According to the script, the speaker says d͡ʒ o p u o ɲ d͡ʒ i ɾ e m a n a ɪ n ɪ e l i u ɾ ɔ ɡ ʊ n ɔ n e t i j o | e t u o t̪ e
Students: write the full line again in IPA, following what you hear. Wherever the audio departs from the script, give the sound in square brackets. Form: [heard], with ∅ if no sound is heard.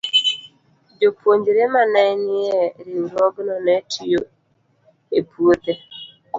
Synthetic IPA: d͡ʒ o p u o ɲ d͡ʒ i ɾ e m a n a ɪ n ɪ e [ɾ] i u ɾ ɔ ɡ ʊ n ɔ n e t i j o | e [p] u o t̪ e